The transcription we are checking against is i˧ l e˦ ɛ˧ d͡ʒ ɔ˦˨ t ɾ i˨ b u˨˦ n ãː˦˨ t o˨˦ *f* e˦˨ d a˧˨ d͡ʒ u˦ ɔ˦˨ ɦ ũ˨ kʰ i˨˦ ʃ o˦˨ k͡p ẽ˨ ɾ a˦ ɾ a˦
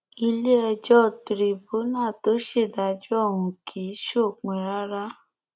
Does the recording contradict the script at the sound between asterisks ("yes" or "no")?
yes